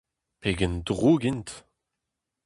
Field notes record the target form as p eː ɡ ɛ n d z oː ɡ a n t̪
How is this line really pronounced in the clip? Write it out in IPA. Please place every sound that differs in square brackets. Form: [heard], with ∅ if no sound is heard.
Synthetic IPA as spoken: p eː ɡ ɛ n d [ʁ] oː ɡ [i] n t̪